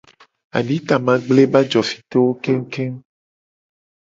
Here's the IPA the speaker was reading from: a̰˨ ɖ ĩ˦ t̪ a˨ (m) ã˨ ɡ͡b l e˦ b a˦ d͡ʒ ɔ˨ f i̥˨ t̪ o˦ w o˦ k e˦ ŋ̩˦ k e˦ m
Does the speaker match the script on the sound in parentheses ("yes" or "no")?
yes